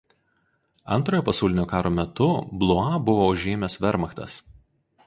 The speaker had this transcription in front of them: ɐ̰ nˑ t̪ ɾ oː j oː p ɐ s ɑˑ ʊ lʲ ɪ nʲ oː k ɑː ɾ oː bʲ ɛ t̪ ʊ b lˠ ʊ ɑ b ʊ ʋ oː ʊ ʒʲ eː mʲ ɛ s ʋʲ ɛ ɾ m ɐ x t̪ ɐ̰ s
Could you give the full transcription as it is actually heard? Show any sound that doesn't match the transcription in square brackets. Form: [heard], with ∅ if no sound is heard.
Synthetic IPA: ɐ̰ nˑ t̪ ɾ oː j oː p ɐ s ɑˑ ʊ lʲ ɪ nʲ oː k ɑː ɾ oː [mʲ] ɛ t̪ ʊ b lˠ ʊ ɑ b ʊ ʋ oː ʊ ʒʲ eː mʲ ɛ s ʋʲ ɛ ɾ m ɐ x t̪ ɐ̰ s